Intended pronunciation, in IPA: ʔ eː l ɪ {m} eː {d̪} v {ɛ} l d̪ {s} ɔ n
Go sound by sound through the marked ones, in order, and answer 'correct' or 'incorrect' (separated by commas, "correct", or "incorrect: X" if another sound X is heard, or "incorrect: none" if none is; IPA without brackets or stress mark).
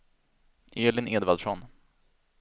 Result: incorrect: n, correct, incorrect: a, incorrect: ʂ